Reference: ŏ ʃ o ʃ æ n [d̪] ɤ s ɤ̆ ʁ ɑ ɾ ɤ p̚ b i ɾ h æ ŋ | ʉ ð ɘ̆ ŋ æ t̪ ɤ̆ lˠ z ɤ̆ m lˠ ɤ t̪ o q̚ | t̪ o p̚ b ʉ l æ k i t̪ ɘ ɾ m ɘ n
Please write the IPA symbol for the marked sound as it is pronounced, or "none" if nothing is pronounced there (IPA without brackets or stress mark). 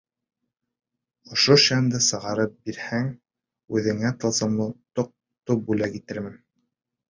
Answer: d̪